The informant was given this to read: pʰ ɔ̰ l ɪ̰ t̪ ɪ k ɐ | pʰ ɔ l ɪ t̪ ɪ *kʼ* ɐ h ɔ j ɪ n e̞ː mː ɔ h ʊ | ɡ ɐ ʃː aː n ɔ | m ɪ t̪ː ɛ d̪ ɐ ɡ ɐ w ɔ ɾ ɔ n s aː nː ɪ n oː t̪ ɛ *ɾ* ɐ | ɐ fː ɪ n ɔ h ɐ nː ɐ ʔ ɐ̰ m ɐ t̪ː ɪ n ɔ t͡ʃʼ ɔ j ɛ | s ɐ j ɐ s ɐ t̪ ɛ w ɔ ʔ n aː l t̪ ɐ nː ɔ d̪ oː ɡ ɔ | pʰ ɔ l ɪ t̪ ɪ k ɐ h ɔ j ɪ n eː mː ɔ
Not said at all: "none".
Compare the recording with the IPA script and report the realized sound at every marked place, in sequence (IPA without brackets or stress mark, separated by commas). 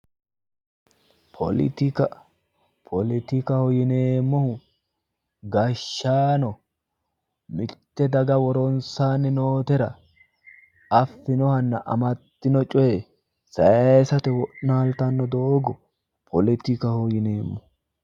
k, ɾ